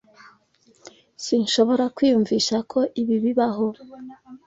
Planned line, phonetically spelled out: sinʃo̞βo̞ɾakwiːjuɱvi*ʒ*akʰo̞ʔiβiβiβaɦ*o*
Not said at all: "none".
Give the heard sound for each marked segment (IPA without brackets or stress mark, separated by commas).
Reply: ʃ, o